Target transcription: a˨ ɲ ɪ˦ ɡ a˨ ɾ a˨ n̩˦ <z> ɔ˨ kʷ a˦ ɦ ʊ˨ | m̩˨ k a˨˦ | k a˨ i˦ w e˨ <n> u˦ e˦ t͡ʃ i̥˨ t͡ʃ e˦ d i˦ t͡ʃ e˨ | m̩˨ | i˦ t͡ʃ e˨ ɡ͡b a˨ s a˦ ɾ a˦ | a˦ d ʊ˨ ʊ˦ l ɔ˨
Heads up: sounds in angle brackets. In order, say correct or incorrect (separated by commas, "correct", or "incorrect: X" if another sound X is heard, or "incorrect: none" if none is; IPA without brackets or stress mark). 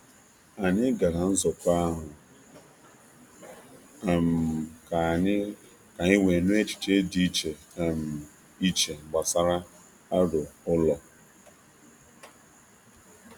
correct, correct